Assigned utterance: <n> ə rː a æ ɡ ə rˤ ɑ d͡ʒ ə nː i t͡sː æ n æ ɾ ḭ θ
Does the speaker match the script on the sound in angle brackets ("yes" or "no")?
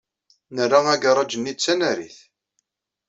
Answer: yes